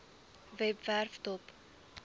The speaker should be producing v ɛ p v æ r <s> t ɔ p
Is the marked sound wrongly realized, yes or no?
yes